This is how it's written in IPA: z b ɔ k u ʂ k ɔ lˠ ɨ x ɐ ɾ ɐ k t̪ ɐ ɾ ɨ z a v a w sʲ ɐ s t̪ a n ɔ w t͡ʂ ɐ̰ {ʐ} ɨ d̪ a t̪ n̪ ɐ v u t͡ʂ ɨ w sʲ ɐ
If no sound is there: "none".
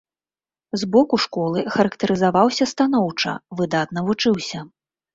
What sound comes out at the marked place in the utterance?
v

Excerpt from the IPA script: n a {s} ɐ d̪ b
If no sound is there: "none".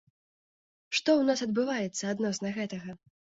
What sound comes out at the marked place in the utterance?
s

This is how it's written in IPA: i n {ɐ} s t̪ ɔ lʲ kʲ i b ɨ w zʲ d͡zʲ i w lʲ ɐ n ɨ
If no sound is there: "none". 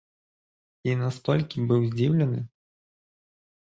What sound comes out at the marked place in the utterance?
a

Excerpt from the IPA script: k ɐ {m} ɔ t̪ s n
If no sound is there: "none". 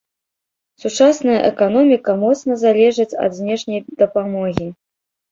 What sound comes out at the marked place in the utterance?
m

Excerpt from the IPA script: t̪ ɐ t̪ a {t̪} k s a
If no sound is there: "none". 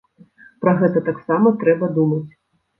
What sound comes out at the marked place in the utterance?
none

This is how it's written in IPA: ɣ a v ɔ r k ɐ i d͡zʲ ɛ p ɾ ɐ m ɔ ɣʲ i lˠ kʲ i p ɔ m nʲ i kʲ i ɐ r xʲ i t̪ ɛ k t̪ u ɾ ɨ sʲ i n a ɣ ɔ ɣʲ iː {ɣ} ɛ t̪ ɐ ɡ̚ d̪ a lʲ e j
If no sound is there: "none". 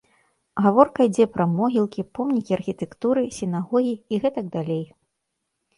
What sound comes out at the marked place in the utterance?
ɣ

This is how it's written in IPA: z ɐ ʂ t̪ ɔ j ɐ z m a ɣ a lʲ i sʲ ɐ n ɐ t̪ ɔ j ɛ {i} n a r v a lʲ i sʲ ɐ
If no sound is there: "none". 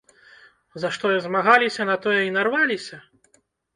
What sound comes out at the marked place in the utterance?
i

